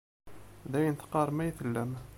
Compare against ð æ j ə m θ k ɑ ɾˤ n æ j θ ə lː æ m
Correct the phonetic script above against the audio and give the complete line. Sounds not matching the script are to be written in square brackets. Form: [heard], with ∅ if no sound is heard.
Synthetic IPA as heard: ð æ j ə [n] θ [q] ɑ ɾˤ [m] æ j θ ə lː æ m